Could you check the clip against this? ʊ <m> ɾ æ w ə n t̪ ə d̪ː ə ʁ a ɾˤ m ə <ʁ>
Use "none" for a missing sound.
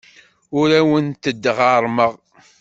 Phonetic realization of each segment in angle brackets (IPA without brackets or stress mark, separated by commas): none, ʁ